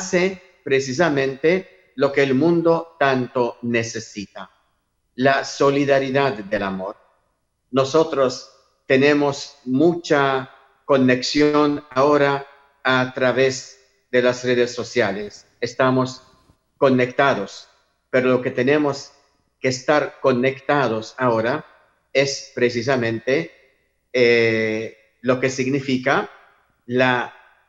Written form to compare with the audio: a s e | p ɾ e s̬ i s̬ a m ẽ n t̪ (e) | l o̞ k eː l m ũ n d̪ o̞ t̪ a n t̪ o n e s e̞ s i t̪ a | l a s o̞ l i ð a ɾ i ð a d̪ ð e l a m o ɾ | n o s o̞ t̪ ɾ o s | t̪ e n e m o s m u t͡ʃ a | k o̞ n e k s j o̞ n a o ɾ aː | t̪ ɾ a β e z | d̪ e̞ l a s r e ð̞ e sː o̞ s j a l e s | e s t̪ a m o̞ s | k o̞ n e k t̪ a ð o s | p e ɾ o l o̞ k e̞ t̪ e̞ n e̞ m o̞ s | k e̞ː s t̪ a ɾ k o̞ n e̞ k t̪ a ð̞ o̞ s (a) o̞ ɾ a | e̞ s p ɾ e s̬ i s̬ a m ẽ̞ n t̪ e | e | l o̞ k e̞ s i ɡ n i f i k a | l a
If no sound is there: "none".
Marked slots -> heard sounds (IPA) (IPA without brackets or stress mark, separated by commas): e, a